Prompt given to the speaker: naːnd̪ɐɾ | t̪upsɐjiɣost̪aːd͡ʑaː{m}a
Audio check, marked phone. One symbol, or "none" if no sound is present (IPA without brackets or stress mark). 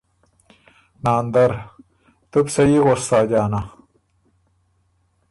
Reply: n